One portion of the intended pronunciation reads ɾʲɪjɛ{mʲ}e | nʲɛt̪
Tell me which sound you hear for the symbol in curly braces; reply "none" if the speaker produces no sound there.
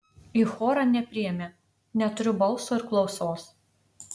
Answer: mʲ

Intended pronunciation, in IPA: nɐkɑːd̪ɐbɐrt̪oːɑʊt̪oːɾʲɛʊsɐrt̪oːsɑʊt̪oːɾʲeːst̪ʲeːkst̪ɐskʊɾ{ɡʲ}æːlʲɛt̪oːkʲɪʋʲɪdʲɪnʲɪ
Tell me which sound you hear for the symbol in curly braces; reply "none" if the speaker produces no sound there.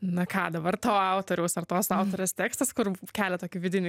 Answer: kʲ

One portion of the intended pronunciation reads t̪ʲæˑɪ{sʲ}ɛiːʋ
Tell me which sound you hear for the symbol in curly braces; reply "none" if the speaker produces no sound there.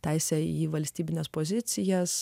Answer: sʲ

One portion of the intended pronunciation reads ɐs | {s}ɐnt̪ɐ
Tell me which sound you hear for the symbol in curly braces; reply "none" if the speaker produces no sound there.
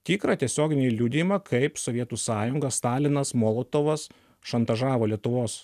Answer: ʃ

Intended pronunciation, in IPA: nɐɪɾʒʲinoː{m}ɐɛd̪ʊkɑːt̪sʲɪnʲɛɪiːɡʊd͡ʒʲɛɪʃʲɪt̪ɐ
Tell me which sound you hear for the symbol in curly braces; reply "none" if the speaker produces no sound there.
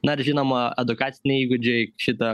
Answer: m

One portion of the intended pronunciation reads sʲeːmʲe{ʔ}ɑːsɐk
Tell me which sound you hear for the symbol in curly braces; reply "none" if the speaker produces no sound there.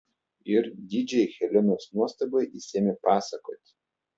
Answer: p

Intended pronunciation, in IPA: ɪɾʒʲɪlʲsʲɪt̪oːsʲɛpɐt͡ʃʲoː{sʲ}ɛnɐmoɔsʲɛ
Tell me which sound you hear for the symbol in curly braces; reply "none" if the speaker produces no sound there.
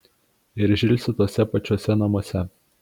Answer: sʲ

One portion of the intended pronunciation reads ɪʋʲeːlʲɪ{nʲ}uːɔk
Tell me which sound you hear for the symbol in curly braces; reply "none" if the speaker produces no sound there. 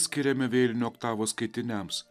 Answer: nʲ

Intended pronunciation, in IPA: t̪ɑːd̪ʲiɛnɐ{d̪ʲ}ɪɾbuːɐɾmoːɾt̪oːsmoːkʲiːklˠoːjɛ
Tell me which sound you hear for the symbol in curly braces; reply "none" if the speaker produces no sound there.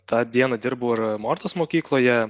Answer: d̪ʲ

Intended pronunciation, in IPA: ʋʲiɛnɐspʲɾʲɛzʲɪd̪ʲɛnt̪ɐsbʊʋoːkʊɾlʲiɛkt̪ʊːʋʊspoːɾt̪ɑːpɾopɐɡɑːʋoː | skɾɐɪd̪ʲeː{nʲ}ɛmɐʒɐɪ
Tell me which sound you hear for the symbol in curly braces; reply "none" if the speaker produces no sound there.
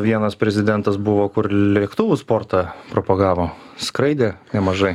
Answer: nʲ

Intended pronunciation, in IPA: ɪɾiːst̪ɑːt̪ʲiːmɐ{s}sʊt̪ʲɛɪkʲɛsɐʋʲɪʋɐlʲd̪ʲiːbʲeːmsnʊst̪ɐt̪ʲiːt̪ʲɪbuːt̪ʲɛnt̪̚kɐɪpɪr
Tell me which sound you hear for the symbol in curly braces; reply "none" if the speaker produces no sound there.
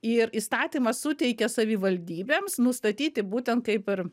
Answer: s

